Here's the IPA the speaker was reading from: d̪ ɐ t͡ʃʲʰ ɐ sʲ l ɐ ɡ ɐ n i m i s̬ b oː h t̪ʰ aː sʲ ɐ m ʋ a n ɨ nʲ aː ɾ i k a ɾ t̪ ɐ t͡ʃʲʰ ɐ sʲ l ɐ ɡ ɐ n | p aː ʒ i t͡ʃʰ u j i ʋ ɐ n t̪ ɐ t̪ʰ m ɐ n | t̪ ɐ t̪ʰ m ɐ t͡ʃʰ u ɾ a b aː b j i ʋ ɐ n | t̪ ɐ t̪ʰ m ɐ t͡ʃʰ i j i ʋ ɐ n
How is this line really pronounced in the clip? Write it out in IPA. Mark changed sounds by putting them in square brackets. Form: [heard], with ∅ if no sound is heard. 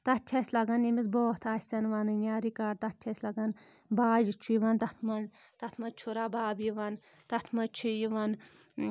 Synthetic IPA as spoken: [t̪] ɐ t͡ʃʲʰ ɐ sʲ l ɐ ɡ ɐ n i m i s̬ b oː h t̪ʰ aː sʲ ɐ [n] ʋ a n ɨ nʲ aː ɾ i k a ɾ t̪ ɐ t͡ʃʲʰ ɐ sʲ l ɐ ɡ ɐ n | [b] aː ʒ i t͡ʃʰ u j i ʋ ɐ n t̪ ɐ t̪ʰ m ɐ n | t̪ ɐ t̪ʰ m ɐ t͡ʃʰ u ɾ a b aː b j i ʋ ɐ n | t̪ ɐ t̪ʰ m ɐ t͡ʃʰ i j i ʋ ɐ n